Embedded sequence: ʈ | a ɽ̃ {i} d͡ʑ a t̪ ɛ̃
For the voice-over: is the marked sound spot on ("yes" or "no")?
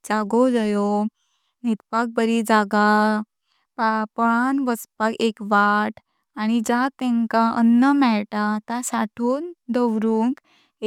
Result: yes